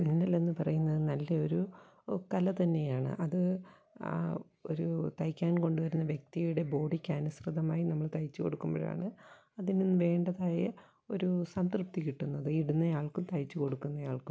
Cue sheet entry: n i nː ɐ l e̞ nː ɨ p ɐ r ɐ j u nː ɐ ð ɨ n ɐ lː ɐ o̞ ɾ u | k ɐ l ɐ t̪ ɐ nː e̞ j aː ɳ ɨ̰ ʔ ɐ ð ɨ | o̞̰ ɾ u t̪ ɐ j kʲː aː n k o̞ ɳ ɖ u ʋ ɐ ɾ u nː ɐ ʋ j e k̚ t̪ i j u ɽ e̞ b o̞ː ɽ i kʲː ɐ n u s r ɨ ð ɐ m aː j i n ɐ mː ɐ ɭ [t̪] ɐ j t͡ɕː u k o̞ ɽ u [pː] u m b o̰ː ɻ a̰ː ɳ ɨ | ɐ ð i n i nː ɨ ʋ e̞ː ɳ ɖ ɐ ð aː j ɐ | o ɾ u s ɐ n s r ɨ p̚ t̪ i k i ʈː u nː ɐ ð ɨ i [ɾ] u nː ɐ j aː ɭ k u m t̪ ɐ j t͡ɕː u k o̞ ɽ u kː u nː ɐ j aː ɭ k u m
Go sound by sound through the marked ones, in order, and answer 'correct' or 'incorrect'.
correct, incorrect: kː, incorrect: ɽ

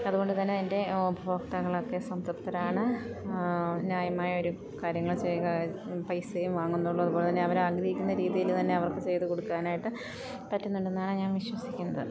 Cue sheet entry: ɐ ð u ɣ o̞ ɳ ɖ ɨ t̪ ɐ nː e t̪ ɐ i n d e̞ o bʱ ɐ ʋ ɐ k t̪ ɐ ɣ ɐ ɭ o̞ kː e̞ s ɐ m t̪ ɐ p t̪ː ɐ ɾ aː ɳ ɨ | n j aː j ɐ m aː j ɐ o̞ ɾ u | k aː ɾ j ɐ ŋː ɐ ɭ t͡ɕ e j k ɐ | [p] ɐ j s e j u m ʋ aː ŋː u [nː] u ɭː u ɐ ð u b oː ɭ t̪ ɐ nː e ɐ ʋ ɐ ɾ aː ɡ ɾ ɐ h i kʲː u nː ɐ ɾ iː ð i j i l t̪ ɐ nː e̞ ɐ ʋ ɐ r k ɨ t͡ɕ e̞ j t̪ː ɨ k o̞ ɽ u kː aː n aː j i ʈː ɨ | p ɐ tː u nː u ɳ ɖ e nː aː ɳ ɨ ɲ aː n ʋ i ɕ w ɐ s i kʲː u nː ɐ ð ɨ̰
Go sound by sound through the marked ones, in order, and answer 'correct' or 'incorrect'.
correct, correct

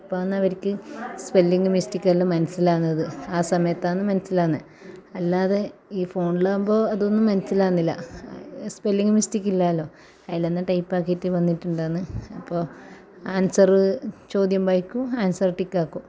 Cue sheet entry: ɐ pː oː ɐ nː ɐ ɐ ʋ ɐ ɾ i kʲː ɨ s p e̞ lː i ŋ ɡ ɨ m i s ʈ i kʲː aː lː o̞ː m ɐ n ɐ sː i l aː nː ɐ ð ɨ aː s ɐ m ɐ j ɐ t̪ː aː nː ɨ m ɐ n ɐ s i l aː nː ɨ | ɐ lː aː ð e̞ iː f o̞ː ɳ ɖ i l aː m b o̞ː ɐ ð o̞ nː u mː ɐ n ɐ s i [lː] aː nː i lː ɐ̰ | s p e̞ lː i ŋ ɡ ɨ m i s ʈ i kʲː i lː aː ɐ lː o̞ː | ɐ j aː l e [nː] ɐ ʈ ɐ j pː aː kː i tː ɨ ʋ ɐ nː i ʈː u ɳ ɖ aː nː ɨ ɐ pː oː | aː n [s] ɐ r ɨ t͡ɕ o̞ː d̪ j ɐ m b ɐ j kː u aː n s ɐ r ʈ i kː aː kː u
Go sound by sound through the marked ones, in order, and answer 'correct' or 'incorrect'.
incorrect: l, correct, correct

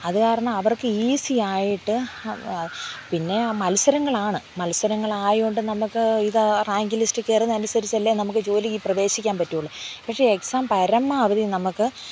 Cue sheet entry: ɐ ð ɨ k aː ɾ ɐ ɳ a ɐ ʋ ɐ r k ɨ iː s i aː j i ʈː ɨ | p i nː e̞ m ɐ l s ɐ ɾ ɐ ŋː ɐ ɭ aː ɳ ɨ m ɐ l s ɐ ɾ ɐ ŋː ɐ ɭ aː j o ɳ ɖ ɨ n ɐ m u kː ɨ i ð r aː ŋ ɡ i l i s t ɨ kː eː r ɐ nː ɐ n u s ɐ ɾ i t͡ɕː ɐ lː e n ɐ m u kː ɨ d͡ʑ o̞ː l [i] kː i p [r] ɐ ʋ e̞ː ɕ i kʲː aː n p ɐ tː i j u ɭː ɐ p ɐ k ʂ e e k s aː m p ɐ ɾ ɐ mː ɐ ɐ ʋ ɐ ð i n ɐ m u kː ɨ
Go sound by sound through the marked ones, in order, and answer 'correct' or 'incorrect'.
correct, correct

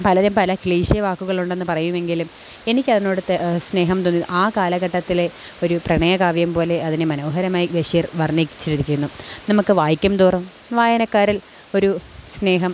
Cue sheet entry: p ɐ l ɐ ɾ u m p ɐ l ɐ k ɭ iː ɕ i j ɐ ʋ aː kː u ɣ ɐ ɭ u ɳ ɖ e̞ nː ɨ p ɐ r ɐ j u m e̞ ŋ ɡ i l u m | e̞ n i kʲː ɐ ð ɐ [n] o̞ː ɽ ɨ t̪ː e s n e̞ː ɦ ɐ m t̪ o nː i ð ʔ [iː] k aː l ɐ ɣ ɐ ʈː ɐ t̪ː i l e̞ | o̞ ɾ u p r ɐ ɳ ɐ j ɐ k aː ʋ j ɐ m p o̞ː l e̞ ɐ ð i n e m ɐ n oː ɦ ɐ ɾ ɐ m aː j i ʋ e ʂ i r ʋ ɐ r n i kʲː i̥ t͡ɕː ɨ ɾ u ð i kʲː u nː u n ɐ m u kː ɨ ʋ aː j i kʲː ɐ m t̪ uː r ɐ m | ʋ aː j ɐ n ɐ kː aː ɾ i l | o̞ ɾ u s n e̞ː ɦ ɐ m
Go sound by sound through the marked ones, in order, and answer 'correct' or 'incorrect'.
correct, incorrect: aː

